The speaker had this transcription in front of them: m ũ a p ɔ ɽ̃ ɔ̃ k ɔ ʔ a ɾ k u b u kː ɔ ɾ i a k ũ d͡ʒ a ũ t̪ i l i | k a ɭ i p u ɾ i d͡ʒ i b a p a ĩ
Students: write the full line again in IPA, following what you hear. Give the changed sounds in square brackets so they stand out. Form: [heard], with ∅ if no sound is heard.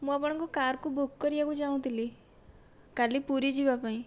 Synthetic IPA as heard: m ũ a p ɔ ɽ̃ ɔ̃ k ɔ [k] a ɾ k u b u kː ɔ ɾ i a k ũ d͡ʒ a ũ t̪ i l i | k a [l] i p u ɾ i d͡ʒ i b a p a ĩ